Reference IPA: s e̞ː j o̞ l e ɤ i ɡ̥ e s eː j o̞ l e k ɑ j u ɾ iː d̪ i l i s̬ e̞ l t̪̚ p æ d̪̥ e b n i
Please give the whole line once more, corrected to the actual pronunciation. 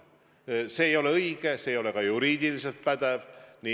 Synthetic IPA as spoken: s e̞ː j o̞ l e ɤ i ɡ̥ e s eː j o̞ l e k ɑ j u ɾ iː d̪ i l i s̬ e̞ l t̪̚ p æ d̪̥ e v n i